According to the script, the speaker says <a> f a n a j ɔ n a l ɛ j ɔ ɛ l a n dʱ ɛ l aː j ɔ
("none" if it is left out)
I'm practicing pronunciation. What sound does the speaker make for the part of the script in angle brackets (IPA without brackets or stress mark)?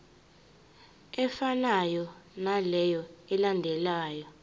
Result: ɛ